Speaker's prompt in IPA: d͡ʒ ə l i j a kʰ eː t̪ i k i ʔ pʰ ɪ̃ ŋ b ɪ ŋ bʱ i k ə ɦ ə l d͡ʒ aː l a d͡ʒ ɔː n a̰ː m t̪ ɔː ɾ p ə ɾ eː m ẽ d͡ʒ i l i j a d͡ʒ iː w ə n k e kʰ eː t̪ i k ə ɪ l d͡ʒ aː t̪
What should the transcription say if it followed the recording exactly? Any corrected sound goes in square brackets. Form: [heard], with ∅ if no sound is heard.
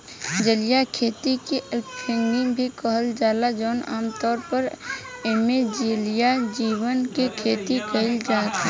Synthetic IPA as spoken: d͡ʒ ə l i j a kʰ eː t̪ i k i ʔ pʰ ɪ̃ ŋ [ɡ] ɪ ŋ bʱ i k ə ɦ ə l d͡ʒ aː l a d͡ʒ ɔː n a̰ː m t̪ ɔː ɾ p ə ɾ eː m [e] d͡ʒ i l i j a d͡ʒ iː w ə n k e kʰ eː t̪ i k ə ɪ l d͡ʒ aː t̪